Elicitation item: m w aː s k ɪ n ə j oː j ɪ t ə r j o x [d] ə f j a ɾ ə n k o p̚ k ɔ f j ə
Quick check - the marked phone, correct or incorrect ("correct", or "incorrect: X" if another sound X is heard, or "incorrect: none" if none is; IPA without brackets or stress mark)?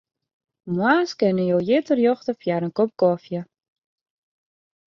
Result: incorrect: t